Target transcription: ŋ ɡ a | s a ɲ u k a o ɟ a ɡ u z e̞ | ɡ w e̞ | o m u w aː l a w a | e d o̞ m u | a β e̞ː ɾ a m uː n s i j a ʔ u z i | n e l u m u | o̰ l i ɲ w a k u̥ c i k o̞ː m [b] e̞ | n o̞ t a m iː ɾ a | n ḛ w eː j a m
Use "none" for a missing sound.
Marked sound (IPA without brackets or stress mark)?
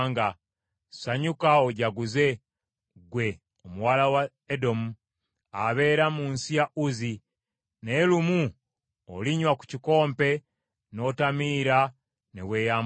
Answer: p